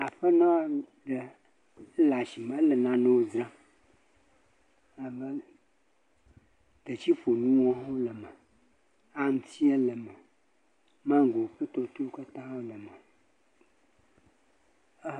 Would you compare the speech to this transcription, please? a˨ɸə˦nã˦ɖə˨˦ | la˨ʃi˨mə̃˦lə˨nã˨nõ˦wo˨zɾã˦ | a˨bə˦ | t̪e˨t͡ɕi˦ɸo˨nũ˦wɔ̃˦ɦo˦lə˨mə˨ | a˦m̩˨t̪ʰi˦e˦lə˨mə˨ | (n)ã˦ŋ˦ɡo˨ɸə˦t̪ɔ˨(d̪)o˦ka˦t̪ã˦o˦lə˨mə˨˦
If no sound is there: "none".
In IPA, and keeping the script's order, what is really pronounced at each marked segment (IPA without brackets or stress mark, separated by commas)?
m, t̪